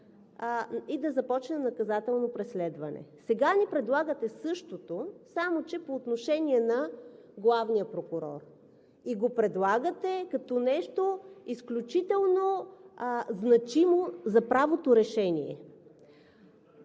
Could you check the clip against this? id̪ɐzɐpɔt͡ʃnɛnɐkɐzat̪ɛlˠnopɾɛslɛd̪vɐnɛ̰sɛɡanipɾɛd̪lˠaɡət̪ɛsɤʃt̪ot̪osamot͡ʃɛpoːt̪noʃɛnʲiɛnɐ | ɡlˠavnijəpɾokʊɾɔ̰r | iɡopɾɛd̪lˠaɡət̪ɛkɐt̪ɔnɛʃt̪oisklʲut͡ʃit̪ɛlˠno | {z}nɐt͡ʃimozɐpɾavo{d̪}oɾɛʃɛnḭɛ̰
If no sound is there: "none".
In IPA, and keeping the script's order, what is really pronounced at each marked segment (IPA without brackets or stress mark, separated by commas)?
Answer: z, t̪